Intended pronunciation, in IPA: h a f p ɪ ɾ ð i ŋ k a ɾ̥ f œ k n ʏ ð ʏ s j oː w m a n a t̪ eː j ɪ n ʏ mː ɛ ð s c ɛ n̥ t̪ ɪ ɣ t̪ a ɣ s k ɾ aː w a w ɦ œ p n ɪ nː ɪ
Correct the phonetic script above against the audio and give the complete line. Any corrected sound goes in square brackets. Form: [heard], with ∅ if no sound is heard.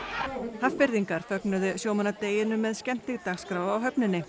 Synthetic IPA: h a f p ɪ ɾ ð i ŋ k a ɾ̥ f œ k n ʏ ð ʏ s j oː w m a n a t̪ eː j ɪ n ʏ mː ɛ ð s c ɛ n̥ t̪ ɪ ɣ t̪ a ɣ s k ɾ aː w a w ɦ œ p n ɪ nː ɪ